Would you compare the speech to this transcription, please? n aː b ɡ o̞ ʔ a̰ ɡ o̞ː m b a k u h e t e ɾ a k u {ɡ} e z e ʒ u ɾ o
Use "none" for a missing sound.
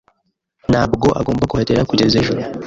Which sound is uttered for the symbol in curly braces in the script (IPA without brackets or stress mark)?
ɟ